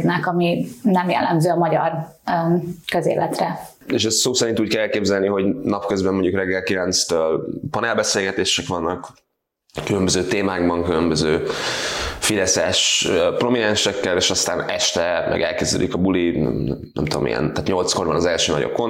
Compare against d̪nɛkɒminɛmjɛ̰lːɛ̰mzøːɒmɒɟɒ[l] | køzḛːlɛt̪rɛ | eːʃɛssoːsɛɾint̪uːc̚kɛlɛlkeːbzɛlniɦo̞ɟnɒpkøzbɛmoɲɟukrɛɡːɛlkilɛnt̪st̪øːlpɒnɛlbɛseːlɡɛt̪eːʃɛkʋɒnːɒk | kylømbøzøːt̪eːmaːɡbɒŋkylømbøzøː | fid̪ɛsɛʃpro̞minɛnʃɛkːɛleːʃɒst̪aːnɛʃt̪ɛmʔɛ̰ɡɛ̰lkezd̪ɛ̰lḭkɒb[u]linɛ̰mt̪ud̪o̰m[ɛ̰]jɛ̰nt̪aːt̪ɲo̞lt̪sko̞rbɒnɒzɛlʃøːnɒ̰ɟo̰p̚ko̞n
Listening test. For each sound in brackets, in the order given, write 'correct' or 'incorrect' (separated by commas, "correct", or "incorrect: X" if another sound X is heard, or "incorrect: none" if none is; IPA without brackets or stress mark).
incorrect: r, correct, incorrect: ḭ